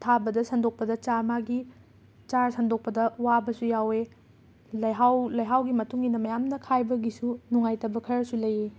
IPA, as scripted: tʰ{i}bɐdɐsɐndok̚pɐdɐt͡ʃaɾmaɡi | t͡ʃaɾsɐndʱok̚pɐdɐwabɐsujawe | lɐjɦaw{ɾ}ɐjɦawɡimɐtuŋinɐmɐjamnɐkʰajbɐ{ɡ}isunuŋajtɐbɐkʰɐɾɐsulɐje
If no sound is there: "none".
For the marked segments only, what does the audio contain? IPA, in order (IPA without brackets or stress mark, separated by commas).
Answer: a, l, ɡ